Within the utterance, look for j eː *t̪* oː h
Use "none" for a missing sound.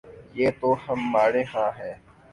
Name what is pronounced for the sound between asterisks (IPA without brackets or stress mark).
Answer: t̪